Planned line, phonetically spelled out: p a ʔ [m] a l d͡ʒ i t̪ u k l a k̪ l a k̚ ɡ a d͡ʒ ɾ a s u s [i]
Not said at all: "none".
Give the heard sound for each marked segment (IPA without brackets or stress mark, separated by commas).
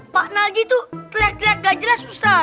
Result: n, a